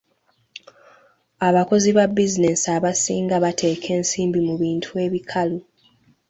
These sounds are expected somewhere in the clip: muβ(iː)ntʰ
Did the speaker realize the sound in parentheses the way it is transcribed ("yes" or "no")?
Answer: yes